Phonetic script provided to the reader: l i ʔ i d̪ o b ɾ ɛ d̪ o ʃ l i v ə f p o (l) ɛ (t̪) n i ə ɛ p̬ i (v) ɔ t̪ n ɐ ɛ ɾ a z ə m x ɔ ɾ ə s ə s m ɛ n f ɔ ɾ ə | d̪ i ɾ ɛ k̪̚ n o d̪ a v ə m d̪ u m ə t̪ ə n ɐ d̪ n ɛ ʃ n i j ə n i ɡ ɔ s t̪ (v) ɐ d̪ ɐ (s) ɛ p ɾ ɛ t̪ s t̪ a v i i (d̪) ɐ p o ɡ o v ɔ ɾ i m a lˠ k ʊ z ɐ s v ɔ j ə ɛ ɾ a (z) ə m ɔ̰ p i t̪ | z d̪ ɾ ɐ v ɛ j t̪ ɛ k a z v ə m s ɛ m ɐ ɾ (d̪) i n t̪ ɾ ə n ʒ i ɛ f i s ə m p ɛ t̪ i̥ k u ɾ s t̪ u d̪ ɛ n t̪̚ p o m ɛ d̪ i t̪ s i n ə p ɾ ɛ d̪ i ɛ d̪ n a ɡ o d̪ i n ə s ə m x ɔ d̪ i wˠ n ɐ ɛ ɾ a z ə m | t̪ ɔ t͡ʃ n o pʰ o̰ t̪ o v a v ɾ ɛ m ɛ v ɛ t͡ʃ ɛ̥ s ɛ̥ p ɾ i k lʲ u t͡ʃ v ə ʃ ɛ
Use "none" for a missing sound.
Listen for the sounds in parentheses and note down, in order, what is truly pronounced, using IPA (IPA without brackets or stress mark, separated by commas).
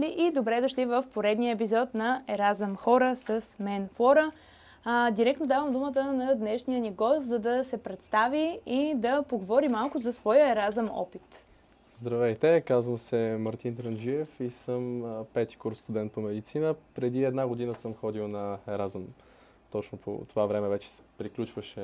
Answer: ɾ, d̪, z, z, s, d̪, z, t̪